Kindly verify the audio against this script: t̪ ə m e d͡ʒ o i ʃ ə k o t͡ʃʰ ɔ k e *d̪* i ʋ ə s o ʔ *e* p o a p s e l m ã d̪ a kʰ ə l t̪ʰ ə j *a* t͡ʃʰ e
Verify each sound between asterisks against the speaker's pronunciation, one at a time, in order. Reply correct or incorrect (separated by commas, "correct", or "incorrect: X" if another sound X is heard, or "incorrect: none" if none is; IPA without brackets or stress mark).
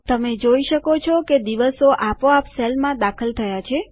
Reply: correct, incorrect: a, correct